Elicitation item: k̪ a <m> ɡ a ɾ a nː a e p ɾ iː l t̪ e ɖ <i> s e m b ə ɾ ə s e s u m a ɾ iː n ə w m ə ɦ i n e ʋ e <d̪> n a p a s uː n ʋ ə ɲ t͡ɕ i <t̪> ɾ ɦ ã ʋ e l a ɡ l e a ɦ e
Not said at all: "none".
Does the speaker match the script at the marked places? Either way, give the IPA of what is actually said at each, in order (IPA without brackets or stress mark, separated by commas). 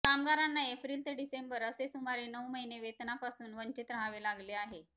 m, i, t̪, t̪